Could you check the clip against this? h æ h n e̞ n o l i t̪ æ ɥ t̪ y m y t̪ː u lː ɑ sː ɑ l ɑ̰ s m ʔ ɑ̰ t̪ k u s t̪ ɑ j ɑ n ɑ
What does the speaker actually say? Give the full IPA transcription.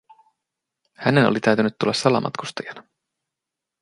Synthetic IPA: h æ n e̞ n o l i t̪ æ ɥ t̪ y n y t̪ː u lː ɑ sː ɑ l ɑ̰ m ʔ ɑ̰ t̪ k u s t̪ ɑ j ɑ n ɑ